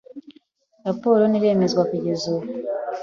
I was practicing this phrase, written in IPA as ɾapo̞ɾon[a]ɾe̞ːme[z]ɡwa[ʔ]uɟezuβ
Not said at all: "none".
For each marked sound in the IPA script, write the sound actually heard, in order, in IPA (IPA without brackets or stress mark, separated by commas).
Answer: i, z, k